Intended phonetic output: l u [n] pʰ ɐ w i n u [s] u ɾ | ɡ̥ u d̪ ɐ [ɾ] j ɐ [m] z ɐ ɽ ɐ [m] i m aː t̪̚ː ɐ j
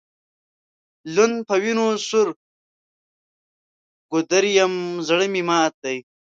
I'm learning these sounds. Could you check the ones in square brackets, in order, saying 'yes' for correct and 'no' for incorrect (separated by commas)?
yes, yes, yes, yes, yes